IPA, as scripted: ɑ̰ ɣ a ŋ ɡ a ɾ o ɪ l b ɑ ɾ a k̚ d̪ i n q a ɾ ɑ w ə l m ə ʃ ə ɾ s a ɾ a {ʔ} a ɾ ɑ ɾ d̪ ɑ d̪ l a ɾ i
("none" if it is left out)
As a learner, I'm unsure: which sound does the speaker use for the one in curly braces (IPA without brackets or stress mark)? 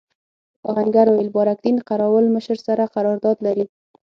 q